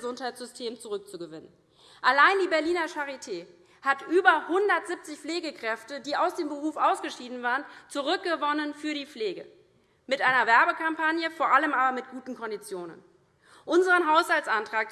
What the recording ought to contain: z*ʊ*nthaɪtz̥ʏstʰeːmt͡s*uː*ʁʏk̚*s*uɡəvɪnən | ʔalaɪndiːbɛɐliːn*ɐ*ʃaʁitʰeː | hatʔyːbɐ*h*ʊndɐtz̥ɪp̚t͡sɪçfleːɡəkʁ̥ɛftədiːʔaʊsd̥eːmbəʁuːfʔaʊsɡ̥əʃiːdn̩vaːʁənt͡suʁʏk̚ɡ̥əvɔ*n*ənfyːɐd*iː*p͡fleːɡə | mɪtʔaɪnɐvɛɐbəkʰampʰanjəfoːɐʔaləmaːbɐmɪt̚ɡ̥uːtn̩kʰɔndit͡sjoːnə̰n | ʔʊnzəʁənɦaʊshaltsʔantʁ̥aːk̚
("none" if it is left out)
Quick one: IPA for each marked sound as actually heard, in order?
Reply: ʊ, u, t͡s, ɐ, h, n, iː

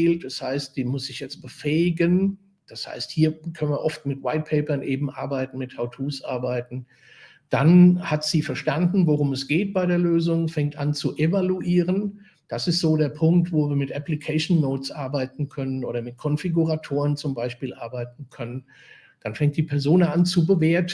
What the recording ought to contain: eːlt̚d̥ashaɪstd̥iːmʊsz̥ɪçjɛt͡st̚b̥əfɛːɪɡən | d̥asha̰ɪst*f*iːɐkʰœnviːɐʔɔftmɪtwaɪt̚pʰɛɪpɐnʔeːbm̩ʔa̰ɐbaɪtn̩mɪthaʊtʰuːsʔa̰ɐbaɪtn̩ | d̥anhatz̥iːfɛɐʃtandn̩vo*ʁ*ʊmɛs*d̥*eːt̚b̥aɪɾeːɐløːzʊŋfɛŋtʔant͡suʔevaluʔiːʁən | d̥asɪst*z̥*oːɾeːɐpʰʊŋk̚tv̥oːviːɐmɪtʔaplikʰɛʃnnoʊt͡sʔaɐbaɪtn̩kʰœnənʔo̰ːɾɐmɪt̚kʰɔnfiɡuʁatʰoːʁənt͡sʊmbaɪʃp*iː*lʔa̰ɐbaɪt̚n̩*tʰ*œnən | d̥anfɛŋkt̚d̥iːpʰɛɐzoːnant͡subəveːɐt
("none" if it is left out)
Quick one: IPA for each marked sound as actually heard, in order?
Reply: h, ʁ, ɡ̥, z̥, iː, kʰ

